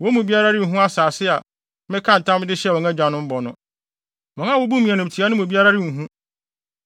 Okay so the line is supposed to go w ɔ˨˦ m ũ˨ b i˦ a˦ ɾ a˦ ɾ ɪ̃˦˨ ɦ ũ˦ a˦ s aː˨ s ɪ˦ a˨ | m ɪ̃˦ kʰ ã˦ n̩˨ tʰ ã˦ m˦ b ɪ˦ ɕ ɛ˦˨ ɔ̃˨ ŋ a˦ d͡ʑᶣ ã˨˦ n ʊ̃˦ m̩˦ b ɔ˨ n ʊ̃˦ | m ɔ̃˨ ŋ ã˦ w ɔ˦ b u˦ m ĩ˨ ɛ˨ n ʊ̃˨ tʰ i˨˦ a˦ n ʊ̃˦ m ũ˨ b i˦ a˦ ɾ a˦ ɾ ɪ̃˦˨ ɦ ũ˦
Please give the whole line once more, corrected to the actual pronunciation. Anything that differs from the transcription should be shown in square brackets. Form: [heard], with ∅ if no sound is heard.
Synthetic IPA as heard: w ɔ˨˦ m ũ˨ b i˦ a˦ ɾ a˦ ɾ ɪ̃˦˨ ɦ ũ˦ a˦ s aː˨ s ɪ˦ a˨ | m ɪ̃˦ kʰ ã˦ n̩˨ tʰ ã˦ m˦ [d] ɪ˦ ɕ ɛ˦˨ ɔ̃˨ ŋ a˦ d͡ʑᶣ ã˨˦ n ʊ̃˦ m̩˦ b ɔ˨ n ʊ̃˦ | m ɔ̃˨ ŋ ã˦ w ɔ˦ b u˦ m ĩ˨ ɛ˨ n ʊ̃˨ tʰ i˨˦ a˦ n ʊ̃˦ m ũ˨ b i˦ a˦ ɾ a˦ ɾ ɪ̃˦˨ ɦ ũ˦